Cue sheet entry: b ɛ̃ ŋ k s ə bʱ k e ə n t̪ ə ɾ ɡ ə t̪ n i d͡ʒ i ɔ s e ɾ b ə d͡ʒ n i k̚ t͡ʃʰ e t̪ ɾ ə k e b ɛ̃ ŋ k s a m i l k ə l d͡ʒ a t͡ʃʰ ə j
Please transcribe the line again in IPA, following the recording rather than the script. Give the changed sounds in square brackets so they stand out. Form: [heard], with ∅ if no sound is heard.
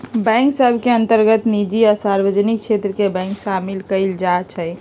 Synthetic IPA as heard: b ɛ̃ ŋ k s ə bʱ k e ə n t̪ ə ɾ ɡ ə t̪ n i d͡ʒ i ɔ s [a] ɾ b ə d͡ʒ n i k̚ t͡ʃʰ e t̪ ɾ ə k e b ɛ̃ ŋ k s a m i l k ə l d͡ʒ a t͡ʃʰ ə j